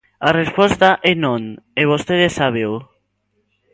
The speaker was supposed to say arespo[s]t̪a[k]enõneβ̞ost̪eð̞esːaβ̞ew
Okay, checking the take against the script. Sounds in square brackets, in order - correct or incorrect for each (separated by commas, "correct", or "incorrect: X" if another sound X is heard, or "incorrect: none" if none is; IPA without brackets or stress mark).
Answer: correct, incorrect: ʔ